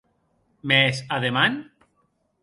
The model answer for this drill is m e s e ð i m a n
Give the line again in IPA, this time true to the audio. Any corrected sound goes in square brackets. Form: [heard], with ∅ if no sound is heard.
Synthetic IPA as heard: m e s [a] ð [e] m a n